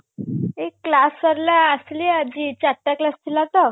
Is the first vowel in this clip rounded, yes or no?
no